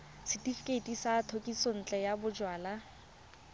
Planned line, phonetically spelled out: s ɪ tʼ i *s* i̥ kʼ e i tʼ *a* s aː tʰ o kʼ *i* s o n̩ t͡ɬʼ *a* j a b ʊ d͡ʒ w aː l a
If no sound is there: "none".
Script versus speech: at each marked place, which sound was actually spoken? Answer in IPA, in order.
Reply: f, i, i, ɛ

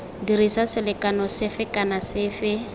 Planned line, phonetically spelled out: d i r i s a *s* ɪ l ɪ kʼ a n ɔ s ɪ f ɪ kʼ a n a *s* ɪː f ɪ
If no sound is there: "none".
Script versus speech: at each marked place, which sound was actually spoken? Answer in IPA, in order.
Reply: s, s

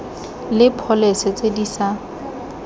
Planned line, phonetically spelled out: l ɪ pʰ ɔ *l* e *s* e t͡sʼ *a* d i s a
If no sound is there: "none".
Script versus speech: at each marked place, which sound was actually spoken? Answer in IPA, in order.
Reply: l, s, e

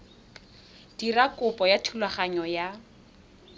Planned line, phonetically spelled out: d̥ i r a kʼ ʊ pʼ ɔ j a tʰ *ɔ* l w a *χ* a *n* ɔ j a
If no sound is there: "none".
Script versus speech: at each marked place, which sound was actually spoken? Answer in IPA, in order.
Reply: u, χ, ɲ

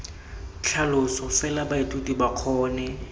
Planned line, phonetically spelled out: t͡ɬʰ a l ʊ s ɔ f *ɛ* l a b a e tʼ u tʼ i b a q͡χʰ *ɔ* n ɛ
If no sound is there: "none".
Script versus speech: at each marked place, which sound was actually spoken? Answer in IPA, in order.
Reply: ɛ, ɔː

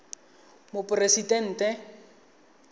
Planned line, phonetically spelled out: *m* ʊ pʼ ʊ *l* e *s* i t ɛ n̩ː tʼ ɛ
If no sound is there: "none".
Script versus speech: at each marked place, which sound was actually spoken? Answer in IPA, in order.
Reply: m, r, s

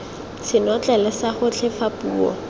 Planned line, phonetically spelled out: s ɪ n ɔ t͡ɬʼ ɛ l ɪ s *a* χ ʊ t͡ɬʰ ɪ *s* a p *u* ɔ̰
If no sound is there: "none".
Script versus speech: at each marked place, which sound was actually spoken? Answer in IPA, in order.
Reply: a, f, uː

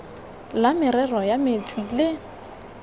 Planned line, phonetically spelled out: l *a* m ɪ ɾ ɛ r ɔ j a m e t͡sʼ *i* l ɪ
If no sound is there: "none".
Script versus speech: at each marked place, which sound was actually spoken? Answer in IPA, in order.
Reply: a, i

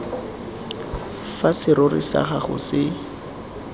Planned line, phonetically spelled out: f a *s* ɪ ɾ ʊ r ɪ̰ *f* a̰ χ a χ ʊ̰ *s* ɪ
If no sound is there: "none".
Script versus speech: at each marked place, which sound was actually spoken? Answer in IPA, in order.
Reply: s, s, s

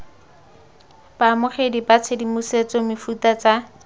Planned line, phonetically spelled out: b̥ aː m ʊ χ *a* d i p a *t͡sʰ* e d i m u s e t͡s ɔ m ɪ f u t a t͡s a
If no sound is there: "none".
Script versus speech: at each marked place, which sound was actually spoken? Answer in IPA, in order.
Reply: e, t͡sʰ

